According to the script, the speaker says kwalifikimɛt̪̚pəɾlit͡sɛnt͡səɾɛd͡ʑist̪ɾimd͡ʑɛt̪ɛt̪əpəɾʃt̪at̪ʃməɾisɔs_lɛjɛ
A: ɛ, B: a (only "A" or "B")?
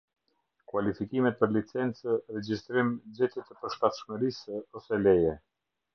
A